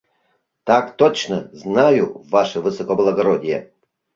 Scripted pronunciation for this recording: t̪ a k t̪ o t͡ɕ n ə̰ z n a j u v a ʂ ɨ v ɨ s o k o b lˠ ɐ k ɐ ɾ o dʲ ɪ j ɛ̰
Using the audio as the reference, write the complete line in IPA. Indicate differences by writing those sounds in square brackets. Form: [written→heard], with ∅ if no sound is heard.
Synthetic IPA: t̪ a k t̪ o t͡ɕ n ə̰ z n a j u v a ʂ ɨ v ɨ s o k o b lˠ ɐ [k→ɡ] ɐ ɾ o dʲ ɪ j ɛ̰